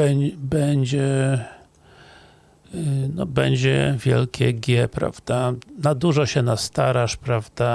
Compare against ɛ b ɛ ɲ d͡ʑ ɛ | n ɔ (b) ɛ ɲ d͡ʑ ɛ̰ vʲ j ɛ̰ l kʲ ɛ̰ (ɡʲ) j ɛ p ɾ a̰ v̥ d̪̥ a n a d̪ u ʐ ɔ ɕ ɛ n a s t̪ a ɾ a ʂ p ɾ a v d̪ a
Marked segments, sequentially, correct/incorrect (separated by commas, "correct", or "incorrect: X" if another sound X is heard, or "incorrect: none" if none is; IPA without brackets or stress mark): correct, correct